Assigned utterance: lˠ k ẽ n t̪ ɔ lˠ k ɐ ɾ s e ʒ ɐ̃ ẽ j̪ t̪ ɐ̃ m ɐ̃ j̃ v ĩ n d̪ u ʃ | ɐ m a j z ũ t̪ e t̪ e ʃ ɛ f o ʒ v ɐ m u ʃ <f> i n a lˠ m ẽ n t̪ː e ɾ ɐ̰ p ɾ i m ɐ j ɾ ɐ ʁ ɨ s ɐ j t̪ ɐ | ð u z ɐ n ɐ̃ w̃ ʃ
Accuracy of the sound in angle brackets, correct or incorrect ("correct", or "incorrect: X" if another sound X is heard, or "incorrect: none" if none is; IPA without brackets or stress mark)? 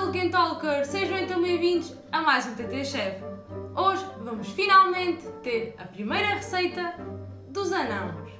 correct